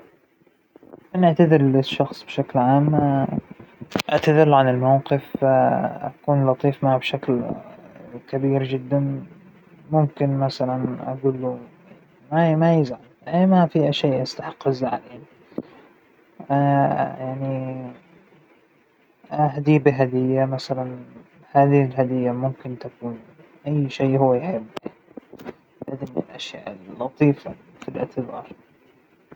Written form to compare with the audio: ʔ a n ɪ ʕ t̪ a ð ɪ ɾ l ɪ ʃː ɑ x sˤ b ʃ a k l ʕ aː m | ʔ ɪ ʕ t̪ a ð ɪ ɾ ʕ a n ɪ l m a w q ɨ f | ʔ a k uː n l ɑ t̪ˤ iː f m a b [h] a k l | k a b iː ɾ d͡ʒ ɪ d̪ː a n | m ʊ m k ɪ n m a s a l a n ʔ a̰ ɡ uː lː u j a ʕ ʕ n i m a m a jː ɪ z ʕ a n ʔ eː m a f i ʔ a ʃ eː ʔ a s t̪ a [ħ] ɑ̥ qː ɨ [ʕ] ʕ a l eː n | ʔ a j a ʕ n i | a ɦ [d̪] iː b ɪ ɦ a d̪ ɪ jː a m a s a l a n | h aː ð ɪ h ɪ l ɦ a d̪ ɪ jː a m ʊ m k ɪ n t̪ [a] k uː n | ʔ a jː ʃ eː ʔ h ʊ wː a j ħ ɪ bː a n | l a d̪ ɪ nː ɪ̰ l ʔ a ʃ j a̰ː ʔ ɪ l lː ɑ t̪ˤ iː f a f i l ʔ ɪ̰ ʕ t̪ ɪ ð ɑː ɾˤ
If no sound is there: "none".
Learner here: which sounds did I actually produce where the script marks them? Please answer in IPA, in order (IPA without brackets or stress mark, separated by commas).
ʃ, ħ, z, d̪, a